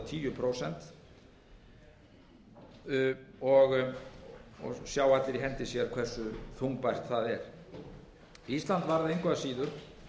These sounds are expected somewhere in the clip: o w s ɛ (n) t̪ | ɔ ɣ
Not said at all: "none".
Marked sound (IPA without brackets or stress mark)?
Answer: n